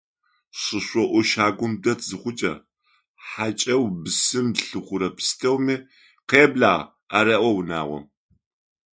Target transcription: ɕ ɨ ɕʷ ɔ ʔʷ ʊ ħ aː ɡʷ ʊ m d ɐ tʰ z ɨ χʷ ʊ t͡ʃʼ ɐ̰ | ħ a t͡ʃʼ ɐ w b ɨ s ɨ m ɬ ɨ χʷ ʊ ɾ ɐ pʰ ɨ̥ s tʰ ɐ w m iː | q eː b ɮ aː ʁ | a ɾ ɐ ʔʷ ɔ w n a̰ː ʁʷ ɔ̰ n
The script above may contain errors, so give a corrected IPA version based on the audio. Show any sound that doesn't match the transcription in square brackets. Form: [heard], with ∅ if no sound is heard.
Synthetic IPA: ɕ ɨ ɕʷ ɔ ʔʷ ʊ [ʃ] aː ɡʷ ʊ m d ɐ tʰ z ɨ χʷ ʊ t͡ʃʼ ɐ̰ | ħ a t͡ʃʼ ɐ w b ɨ s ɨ m ɬ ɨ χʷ ʊ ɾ ɐ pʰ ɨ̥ s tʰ ɐ w m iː | q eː b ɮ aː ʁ | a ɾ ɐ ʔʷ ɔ w n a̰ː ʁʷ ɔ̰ [m]

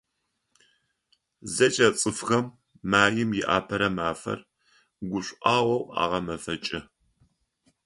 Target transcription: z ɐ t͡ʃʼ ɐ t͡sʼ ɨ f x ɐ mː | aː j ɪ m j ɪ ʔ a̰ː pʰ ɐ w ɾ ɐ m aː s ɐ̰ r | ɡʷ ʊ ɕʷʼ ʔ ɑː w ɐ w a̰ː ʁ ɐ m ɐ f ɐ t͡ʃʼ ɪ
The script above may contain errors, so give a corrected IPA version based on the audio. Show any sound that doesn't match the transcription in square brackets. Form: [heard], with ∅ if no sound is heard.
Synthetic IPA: z ɐ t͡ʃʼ ɐ t͡sʼ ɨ f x ɐ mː | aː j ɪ m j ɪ ʔ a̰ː pʰ ɐ [∅] ɾ ɐ m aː [f] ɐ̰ r | ɡʷ ʊ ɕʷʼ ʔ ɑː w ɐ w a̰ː ʁ ɐ m ɐ f ɐ t͡ʃʼ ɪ

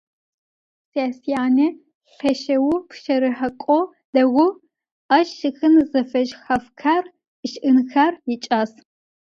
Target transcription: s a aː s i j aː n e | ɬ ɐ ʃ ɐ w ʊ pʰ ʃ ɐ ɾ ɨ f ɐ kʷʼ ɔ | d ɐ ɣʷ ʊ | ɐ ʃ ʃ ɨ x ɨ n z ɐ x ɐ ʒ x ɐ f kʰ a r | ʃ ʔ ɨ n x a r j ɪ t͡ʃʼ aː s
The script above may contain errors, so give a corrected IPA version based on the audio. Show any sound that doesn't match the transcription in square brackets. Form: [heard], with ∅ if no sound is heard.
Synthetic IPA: s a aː s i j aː n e | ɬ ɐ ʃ ɐ w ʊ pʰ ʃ ɐ ɾ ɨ [ħ] ɐ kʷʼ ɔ | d ɐ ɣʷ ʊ | ɐ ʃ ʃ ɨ x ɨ n z ɐ [f] ɐ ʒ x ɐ f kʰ a r | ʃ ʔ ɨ n x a r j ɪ t͡ʃʼ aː s

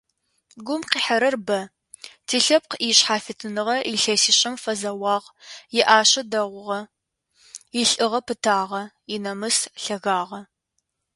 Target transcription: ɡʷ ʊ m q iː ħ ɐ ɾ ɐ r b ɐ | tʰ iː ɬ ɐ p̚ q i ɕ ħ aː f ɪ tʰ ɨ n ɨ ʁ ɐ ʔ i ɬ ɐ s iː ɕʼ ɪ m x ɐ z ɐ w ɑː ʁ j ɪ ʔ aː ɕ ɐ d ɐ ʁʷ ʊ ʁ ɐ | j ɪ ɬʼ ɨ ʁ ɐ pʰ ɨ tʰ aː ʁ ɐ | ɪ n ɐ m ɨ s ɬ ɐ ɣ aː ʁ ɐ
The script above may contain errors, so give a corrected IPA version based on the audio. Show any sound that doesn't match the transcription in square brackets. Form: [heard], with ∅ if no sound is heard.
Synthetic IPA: ɡʷ ʊ m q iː ħ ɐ ɾ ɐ r b ɐ | tʰ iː ɬ ɐ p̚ q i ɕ ħ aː f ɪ tʰ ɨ n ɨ ʁ ɐ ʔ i ɬ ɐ s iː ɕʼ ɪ m [f] ɐ z ɐ w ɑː ʁ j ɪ ʔ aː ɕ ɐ d ɐ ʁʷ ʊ ʁ ɐ | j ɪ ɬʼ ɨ ʁ ɐ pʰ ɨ tʰ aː ʁ ɐ | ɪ n ɐ m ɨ s ɬ ɐ ɣ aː ʁ ɐ

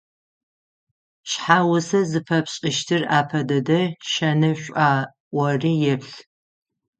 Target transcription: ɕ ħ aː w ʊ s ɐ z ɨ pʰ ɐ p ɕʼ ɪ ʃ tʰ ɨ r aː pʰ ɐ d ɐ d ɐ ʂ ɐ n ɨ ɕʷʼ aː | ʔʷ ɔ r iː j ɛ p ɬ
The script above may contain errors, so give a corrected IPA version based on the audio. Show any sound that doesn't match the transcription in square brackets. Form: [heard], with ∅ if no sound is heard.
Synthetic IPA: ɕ ħ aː w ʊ s ɐ z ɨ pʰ ɐ p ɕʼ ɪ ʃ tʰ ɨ r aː pʰ ɐ d ɐ d ɐ [ʃ] ɐ n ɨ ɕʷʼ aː | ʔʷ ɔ r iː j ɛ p ɬ

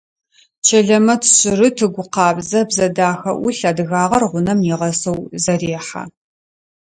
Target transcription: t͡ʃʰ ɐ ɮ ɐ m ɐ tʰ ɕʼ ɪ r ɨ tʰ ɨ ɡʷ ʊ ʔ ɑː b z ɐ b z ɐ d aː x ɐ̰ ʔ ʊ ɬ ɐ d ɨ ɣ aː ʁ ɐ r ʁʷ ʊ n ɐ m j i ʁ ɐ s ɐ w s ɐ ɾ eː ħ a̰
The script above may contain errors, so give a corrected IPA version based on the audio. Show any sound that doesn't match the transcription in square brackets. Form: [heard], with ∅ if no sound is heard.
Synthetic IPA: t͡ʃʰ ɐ ɮ ɐ m ɐ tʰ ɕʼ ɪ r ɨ tʰ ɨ ɡʷ ʊ [q] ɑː b z ɐ b z ɐ d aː x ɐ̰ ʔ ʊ ɬ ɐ d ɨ ɣ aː ʁ ɐ r ʁʷ ʊ n ɐ m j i ʁ ɐ s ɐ w [z] ɐ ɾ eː ħ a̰

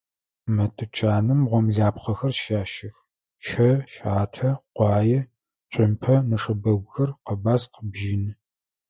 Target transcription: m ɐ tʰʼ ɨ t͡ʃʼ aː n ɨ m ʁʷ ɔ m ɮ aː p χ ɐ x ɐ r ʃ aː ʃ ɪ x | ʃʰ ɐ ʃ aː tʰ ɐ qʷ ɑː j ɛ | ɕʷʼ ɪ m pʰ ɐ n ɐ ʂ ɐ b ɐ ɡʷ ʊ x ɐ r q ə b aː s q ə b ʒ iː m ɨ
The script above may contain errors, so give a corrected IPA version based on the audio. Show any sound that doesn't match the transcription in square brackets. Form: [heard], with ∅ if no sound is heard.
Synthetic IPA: m ɐ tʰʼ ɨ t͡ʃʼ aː n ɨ m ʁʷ ɔ m ɮ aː p χ ɐ x ɐ r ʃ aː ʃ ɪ x | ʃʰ ɐ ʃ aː tʰ ɐ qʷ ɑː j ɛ | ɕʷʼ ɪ m pʰ ɐ n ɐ ʂ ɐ b ɐ ɡʷ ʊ x ɐ r q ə b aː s q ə b ʒ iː [n] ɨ

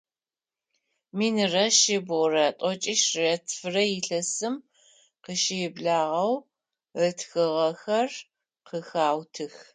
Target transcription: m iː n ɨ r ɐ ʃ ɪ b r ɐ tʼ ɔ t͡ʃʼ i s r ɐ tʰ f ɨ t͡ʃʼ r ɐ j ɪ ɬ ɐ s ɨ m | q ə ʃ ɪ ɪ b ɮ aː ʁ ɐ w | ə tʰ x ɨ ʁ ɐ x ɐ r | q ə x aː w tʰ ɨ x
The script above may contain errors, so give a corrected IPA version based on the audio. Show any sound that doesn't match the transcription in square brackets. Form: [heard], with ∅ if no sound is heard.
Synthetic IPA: m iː n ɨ r ɐ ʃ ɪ b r ɐ tʼ ɔ t͡ʃʼ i [ʃ] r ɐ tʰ f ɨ [∅] r ɐ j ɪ ɬ ɐ s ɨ m | q ə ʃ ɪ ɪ b ɮ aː ʁ ɐ w | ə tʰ x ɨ ʁ ɐ x ɐ r | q ə x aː w tʰ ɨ x

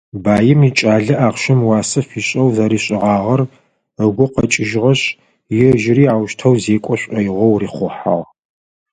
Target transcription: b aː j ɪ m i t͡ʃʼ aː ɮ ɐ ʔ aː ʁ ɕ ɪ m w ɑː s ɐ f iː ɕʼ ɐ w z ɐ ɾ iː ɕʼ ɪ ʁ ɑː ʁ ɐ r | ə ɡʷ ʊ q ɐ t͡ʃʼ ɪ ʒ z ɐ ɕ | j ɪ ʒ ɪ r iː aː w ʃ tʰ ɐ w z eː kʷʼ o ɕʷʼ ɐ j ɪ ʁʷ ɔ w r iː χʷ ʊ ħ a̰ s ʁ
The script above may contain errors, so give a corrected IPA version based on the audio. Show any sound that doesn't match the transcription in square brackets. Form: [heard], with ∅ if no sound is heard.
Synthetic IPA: b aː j ɪ m i t͡ʃʼ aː ɮ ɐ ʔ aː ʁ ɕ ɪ m w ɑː s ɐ f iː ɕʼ ɐ w z ɐ ɾ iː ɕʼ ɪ ʁ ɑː ʁ ɐ r | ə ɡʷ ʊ q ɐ t͡ʃʼ ɪ ʒ [ʁ] ɐ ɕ | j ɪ ʒ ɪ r iː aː w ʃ tʰ ɐ w z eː kʷʼ [ɔ] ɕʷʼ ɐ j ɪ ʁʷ ɔ w r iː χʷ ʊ ħ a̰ [∅] ʁ

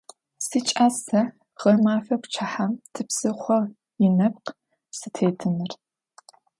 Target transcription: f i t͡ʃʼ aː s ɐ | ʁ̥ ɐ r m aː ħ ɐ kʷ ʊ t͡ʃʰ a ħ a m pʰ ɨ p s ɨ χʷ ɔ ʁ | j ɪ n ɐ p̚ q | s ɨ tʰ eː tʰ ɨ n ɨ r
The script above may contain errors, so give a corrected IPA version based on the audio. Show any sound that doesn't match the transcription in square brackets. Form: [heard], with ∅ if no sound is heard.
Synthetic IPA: [s] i t͡ʃʼ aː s ɐ | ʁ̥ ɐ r m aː [f] ɐ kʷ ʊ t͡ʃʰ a ħ a m [tʰ] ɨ p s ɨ χʷ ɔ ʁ | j ɪ n ɐ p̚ q | s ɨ tʰ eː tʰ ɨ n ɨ r

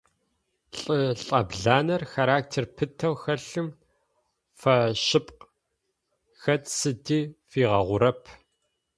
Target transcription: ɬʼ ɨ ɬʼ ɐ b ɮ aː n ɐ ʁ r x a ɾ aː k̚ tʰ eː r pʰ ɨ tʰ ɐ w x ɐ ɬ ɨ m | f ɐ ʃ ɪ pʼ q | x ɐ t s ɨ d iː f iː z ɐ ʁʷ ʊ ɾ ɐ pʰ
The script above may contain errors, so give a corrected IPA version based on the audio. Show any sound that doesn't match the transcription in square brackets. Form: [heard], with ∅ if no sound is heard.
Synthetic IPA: ɬʼ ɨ ɬʼ ɐ b ɮ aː n ɐ [∅] r x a ɾ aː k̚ tʰ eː r pʰ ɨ tʰ ɐ w x ɐ ɬ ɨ m | f ɐ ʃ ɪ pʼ q | x ɐ t s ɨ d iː f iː [ʁ] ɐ ʁʷ ʊ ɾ ɐ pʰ

